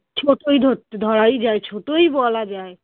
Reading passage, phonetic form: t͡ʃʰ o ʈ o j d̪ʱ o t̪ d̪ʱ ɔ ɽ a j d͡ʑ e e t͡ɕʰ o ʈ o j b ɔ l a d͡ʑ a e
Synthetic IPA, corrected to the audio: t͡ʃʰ o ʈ o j d̪ʱ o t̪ d̪ʱ ɔ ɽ a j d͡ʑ a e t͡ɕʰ o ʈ o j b ɔ l a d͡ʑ a e